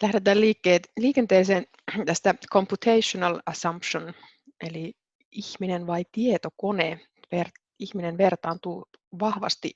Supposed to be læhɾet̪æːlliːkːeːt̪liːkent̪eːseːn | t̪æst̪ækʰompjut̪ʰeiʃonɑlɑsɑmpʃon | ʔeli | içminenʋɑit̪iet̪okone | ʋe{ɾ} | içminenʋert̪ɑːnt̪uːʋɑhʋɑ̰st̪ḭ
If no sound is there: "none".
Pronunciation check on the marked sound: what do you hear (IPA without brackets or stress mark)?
r